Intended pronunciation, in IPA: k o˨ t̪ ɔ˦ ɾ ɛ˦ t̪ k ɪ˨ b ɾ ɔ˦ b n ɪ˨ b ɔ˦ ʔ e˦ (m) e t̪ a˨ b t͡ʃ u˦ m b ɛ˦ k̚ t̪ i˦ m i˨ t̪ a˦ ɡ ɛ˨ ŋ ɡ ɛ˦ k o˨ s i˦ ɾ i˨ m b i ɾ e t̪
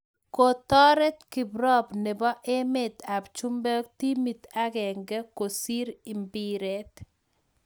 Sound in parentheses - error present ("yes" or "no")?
no